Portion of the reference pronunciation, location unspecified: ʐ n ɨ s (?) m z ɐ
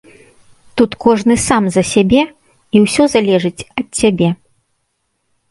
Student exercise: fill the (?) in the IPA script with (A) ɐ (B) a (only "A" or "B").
B